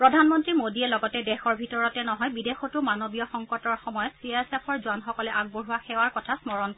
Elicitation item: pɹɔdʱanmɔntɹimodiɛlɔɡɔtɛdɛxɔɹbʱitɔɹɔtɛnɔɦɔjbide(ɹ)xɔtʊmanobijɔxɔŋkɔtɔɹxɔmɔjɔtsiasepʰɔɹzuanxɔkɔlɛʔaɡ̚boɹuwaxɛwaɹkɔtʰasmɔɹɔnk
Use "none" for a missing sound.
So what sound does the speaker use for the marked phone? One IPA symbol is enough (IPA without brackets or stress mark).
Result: none